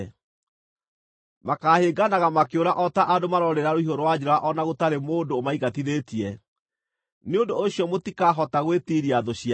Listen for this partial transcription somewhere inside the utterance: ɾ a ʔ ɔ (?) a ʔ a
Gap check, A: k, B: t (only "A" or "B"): B